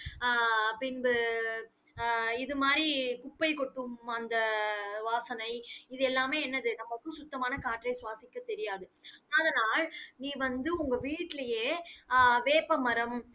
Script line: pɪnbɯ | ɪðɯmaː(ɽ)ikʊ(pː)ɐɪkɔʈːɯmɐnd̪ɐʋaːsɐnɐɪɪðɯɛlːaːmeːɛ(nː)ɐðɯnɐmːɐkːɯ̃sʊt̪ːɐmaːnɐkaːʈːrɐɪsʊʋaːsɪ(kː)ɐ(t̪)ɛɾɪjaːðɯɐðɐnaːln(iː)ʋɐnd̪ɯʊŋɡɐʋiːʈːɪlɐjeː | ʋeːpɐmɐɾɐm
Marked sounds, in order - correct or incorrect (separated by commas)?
incorrect, correct, correct, correct, correct, correct